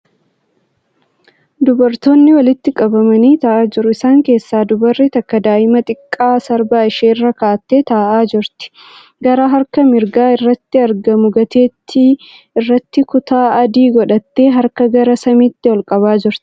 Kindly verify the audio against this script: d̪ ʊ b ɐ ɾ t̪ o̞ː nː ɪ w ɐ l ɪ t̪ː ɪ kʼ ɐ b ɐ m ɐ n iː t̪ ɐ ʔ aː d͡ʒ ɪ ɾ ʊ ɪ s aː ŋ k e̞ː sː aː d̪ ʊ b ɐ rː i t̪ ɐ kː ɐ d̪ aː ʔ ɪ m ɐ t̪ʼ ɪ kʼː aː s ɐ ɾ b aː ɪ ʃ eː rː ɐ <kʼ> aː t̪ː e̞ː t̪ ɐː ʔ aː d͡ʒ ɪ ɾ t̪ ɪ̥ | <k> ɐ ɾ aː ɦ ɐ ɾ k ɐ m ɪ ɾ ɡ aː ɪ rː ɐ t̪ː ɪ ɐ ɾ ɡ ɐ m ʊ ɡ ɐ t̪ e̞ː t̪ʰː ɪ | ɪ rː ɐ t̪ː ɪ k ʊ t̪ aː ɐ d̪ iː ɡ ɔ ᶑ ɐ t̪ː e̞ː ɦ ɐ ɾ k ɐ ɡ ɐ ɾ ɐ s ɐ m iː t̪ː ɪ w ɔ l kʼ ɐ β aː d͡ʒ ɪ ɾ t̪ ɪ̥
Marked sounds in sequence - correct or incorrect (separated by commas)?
incorrect, incorrect